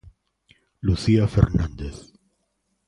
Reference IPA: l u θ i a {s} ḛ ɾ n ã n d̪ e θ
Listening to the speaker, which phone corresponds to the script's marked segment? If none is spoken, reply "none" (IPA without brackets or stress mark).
f